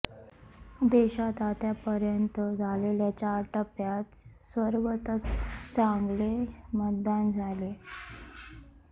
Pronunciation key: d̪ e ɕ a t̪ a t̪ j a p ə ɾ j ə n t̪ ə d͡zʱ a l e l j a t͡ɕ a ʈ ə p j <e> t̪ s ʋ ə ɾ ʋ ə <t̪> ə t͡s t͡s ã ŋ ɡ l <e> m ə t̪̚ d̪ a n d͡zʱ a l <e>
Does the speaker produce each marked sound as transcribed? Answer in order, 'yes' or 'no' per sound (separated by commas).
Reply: no, yes, yes, yes